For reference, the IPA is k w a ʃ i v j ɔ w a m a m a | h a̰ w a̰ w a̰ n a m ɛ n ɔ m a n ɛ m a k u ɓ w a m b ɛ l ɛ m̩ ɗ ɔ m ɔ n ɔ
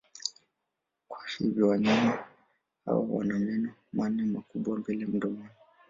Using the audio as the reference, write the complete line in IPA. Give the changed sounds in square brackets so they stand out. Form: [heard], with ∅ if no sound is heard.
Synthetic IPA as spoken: k w a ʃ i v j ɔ w a [ɲ] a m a | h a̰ w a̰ w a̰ n a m ɛ n ɔ m a n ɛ m a k u ɓ w a m b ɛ l ɛ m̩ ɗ ɔ m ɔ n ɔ